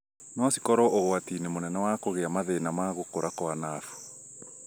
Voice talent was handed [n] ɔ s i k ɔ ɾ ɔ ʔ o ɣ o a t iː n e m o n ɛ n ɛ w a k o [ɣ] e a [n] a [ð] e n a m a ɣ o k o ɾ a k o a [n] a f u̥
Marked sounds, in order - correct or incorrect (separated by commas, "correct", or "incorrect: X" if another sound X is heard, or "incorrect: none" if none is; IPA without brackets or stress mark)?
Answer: correct, correct, incorrect: m, correct, correct